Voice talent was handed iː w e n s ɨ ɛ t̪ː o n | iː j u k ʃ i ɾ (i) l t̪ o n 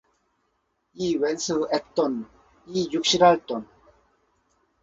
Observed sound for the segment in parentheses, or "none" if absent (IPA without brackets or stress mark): a